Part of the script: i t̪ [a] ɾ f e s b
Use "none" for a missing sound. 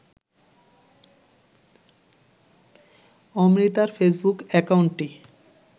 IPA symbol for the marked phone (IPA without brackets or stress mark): a